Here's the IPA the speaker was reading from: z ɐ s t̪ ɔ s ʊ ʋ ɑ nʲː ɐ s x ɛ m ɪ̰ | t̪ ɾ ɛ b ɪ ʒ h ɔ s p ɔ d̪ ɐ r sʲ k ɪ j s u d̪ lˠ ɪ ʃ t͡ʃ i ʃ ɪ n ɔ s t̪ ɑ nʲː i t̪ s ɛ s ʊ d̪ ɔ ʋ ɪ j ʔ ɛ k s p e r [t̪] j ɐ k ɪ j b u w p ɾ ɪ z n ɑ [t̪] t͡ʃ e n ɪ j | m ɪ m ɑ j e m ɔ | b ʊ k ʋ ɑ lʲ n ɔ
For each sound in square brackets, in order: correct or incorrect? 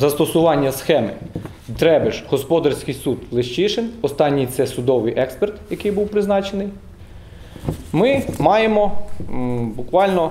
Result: correct, incorrect: none

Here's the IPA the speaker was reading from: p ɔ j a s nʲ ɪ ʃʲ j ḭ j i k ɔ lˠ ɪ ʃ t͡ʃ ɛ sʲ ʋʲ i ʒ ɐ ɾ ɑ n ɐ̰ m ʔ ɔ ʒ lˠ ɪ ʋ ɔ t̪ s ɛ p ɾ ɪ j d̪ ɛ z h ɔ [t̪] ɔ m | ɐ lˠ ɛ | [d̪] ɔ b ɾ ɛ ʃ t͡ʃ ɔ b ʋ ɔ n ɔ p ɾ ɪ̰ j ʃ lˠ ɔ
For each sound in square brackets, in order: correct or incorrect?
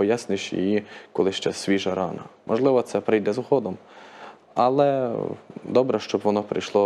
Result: incorrect: d̪, correct

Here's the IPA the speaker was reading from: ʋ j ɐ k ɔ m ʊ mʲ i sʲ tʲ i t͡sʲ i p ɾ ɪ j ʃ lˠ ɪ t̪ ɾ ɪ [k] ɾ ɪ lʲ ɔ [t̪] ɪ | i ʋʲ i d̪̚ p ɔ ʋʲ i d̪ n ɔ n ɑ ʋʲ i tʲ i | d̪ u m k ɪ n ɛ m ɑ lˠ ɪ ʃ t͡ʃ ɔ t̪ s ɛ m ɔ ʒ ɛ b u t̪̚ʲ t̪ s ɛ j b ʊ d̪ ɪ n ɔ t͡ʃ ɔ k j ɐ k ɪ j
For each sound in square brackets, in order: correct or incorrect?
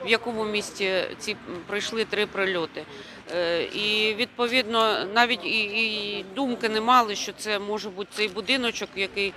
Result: incorrect: p, correct

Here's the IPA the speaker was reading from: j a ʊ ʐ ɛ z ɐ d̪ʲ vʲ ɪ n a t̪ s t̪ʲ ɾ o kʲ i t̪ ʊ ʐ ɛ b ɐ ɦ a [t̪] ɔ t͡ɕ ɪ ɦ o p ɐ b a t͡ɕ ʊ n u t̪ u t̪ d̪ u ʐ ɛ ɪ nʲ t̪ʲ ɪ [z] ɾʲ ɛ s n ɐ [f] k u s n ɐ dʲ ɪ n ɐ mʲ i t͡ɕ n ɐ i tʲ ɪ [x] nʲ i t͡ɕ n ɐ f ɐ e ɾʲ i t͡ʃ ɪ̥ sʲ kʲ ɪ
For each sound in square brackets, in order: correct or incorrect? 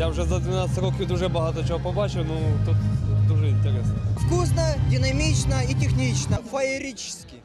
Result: correct, incorrect: none, correct, correct

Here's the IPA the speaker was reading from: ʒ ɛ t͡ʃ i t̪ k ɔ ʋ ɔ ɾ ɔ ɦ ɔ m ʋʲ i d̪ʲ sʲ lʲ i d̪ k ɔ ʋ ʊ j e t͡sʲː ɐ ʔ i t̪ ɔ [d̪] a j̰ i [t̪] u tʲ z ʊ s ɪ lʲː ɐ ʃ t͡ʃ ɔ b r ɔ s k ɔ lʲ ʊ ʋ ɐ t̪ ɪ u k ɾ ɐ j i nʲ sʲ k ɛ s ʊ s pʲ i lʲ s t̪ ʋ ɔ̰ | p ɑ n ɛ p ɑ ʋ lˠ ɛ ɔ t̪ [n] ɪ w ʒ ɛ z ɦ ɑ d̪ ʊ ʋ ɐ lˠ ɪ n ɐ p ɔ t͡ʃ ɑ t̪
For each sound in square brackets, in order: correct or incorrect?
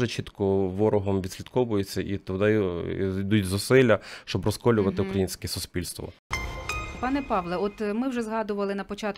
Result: correct, incorrect: d̪, incorrect: m

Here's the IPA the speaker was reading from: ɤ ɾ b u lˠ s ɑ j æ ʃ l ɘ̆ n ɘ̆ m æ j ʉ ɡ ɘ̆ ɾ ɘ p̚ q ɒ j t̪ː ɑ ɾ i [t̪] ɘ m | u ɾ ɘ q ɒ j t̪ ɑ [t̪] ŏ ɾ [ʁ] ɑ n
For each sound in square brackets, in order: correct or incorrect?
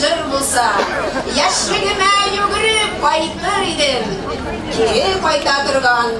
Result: incorrect: d̪, correct, correct

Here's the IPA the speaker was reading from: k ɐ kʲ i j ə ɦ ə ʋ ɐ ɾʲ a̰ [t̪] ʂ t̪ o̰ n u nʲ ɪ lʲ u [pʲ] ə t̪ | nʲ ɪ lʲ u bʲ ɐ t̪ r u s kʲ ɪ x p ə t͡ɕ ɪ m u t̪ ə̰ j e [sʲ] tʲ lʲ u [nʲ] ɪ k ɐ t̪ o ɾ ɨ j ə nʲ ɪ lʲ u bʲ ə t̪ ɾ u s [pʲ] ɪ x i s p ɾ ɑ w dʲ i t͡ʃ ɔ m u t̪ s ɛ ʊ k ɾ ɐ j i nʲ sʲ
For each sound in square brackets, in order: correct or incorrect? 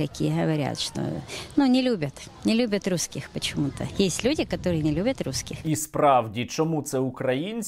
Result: correct, incorrect: bʲ, correct, incorrect: dʲ, incorrect: kʲ

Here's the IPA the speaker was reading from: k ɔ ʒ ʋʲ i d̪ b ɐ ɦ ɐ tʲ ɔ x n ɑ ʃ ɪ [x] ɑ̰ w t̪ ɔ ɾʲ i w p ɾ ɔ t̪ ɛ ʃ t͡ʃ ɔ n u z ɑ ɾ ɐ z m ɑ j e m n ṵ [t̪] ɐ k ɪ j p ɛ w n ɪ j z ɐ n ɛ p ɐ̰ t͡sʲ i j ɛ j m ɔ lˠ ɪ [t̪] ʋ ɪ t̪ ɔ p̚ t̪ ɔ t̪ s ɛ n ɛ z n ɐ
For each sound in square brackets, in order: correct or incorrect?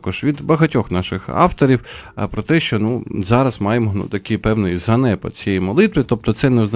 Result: correct, correct, correct

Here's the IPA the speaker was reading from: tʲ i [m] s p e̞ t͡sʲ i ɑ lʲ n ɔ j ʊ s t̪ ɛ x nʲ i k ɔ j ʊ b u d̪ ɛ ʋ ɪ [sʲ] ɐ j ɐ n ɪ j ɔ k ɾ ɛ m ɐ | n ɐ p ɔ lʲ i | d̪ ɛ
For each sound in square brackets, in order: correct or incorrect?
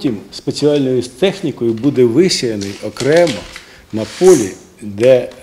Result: correct, correct

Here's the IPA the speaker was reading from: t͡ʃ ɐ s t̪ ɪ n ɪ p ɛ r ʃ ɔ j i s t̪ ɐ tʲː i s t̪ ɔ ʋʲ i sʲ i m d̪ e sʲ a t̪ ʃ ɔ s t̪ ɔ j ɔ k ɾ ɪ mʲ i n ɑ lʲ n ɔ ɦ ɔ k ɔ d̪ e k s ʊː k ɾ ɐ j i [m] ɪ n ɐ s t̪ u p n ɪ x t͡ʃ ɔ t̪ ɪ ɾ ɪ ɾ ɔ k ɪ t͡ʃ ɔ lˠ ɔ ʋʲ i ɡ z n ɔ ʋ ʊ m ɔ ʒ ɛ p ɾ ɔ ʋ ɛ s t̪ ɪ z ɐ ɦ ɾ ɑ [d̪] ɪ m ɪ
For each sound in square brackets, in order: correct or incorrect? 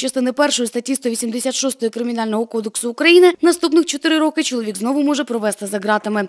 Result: incorrect: n, incorrect: t̪

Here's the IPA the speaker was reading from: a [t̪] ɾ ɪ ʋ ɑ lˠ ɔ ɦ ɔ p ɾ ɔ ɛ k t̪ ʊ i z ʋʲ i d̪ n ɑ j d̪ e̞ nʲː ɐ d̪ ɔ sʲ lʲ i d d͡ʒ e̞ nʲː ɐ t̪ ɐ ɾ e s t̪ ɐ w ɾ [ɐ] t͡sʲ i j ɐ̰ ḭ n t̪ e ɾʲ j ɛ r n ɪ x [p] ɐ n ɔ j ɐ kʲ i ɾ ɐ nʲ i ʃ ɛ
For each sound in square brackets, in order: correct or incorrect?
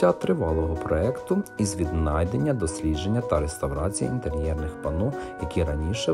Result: correct, incorrect: ɑ, correct

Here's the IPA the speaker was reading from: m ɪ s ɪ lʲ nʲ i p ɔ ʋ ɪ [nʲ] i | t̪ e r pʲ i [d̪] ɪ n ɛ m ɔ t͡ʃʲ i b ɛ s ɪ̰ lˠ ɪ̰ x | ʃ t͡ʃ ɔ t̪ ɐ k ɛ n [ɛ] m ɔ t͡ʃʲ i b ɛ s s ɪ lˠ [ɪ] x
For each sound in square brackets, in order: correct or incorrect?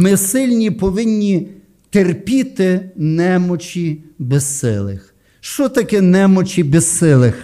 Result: incorrect: nʲː, incorrect: t̪, correct, correct

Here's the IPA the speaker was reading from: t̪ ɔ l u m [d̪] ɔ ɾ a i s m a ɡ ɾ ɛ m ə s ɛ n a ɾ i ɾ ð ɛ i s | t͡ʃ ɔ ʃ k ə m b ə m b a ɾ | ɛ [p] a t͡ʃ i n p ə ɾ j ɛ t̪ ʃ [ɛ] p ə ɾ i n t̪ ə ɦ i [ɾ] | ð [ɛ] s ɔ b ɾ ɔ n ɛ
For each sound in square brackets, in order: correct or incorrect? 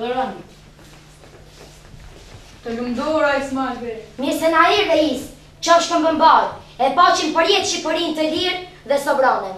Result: correct, correct, incorrect: i, correct, correct

